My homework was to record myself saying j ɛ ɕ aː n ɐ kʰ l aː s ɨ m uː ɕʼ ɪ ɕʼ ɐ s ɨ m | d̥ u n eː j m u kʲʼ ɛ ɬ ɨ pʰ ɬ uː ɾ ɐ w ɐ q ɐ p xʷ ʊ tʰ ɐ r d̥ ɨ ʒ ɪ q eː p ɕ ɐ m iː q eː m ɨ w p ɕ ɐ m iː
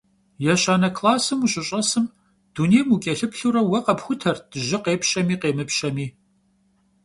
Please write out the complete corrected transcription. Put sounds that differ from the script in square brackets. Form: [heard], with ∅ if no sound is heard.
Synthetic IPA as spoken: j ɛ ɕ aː n ɐ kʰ l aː s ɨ m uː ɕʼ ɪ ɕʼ ɐ s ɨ m | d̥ u n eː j m u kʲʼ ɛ ɬ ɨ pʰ ɬ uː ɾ ɐ w ɐ q ɐ p xʷ ʊ tʰ ɐ r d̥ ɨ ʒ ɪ q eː p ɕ ɐ m iː q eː m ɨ [∅] p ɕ ɐ m iː